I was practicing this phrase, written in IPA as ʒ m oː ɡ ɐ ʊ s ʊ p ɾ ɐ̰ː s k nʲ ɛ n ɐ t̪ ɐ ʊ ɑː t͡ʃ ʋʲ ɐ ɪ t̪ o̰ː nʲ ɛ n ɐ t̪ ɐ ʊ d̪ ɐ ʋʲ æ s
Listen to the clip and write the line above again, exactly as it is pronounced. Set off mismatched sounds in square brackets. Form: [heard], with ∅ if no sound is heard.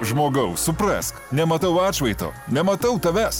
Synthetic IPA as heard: ʒ m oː ɡ ɐ ʊ s ʊ p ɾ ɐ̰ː s k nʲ ɛ [m] ɐ t̪ ɐ ʊ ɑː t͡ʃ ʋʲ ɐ ɪ t̪ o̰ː nʲ ɛ [m] ɐ t̪ ɐ ʊ [t̪] ɐ ʋʲ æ s